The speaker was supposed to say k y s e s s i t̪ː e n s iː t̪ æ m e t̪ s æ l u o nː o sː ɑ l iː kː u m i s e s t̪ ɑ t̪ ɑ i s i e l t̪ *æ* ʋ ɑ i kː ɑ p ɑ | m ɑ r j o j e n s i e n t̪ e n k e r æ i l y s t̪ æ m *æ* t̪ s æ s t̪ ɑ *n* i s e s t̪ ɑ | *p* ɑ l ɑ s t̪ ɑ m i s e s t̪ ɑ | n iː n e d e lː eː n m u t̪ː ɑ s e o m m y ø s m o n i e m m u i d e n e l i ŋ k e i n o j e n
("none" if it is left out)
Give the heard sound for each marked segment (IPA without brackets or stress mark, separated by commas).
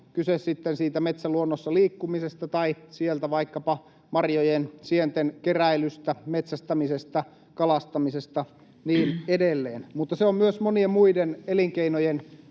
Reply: æ, e, m, k